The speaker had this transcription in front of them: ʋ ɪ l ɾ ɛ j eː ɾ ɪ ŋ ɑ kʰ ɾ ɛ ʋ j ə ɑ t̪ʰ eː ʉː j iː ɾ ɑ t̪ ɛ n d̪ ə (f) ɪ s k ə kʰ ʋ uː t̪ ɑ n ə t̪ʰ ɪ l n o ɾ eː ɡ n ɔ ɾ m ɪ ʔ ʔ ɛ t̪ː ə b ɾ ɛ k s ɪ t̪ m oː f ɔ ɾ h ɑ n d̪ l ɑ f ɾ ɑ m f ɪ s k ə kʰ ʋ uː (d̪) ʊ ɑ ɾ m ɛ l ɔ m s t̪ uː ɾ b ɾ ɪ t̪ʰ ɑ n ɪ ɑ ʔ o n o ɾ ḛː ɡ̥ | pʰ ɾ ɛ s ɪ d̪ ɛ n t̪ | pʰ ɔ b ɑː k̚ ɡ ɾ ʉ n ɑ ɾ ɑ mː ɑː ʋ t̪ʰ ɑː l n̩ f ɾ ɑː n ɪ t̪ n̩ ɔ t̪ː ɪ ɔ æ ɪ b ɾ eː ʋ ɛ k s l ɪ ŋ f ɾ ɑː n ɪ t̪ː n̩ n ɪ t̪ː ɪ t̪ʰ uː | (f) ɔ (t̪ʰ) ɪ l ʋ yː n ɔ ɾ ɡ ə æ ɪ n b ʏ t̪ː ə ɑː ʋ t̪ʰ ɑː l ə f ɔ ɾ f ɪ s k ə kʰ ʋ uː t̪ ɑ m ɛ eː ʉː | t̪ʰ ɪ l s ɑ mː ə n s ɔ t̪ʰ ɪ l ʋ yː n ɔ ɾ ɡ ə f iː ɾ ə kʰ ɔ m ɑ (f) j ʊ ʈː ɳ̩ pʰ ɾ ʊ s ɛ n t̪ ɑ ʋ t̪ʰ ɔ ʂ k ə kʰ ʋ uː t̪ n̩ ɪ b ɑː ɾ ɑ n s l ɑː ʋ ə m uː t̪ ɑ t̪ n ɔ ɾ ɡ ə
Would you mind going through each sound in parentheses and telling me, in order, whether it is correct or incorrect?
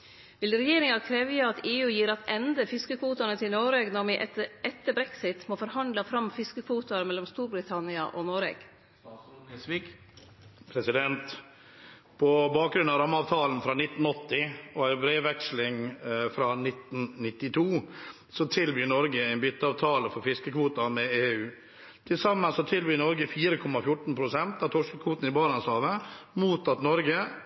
correct, incorrect: t̪, incorrect: s, correct, correct

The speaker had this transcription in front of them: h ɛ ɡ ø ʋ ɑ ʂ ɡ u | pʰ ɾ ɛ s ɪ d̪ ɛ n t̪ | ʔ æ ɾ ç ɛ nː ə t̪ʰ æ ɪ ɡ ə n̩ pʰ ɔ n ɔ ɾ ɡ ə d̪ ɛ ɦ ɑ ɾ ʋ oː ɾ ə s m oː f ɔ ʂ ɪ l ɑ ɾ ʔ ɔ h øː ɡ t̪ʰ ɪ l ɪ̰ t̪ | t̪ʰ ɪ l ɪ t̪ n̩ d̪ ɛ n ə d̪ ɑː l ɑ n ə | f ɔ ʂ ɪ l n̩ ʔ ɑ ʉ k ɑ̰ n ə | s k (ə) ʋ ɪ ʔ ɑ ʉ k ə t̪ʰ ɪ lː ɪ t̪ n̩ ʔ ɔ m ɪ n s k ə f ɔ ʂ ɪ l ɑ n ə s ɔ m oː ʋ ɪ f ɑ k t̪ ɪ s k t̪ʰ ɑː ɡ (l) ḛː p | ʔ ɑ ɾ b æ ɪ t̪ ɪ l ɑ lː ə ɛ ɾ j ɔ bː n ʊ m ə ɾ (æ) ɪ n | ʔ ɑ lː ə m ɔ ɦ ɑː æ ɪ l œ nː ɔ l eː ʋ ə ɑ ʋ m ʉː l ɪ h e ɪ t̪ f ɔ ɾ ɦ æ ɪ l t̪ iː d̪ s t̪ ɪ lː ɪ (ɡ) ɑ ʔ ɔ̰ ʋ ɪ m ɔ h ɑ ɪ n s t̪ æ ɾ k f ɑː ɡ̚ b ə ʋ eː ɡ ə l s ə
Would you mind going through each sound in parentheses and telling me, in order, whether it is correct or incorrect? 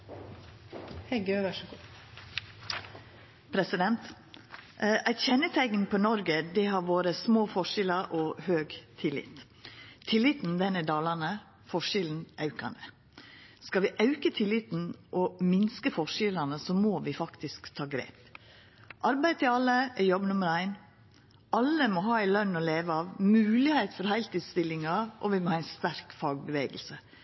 incorrect: ɑ, incorrect: ɾ, correct, incorrect: ŋ

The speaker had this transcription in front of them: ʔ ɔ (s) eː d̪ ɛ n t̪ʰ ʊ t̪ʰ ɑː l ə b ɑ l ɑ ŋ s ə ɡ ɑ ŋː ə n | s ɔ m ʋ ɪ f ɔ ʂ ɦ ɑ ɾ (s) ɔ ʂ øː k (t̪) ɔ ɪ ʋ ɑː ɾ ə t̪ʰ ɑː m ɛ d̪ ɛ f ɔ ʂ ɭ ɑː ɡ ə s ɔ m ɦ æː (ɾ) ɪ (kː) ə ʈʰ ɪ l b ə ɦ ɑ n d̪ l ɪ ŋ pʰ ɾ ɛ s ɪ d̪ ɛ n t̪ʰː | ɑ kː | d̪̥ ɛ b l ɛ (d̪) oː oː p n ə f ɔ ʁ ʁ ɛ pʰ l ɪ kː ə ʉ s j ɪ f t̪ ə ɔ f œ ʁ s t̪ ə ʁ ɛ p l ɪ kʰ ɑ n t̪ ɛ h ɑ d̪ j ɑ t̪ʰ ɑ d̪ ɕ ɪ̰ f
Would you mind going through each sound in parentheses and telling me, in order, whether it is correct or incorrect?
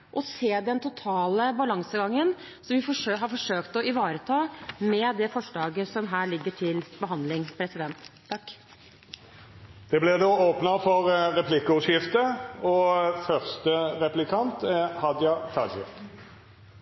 correct, incorrect: f, correct, incorrect: ɭ, incorrect: ɡː, correct

